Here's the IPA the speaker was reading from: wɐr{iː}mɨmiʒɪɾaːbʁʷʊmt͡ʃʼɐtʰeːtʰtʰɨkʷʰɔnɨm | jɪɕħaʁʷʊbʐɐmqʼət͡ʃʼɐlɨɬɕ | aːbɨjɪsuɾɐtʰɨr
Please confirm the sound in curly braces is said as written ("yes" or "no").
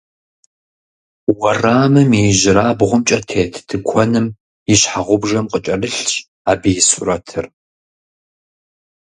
no